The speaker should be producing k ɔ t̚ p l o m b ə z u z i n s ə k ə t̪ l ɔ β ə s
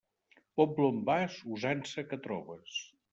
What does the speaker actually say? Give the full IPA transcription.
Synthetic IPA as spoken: p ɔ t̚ b l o m b a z u z a n s ə k ə t̪ ɾ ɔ β ə s